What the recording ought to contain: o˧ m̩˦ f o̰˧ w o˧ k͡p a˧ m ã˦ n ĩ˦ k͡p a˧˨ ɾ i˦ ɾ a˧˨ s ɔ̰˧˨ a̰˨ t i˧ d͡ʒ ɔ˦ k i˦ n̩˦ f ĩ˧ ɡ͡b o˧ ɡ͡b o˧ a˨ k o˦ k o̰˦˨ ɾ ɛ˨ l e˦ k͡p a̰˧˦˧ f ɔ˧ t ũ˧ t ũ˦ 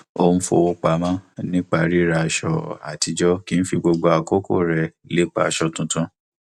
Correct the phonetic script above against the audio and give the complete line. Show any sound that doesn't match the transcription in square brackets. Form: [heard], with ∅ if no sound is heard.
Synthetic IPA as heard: o˧ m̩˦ f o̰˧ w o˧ k͡p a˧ m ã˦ n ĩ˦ k͡p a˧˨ ɾ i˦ ɾ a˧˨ [ʃ] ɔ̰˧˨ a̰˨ t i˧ d͡ʒ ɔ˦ k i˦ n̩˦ f [i˧] ɡ͡b o˧ ɡ͡b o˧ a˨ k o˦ k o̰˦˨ ɾ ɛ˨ l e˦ k͡p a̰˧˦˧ [ʃ] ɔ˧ t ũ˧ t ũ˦